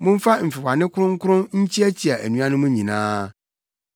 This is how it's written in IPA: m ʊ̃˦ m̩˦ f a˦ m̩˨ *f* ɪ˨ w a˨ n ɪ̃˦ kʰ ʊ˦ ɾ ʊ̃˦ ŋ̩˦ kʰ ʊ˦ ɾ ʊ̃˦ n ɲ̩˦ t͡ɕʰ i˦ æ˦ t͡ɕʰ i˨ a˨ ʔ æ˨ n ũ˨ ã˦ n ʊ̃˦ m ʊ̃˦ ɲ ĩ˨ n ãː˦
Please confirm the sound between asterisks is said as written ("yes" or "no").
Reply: yes